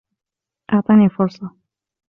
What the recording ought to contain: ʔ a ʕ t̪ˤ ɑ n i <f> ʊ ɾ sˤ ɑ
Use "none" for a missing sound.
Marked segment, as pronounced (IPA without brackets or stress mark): f